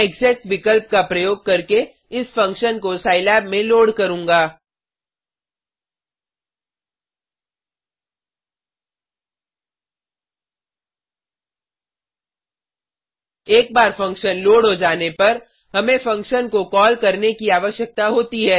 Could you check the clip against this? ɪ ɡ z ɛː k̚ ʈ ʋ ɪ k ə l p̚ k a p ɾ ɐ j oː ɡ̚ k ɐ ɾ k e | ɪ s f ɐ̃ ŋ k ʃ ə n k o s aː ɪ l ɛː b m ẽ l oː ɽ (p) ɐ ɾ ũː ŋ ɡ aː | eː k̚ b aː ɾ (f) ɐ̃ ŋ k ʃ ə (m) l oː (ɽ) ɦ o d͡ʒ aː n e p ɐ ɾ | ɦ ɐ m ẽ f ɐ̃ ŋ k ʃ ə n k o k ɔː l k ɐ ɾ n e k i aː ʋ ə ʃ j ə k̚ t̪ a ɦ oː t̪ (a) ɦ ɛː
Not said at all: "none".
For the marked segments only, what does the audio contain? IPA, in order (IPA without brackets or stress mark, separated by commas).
k, f, n, ɽ, i